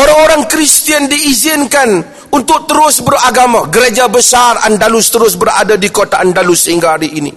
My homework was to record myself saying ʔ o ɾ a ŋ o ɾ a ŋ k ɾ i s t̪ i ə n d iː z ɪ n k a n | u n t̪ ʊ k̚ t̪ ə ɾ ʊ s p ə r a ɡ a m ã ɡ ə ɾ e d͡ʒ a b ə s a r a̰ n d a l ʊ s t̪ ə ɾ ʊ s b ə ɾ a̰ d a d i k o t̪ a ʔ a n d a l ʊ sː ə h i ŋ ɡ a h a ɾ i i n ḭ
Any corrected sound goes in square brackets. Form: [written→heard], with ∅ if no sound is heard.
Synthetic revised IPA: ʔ o ɾ a ŋ o ɾ a ŋ k ɾ i s t̪ i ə n d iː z ɪ n k a n | u n t̪ ʊ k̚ t̪ ə ɾ ʊ s [p→b] ə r a ɡ a m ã ɡ ə ɾ e d͡ʒ a b ə s a r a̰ n d a l ʊ s t̪ ə ɾ ʊ s b ə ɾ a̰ d a d i k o t̪ a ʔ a n d a l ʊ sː ə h i ŋ ɡ a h a ɾ i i n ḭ